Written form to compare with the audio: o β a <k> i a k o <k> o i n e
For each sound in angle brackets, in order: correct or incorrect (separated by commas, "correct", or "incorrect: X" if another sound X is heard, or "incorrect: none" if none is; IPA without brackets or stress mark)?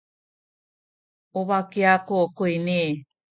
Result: correct, correct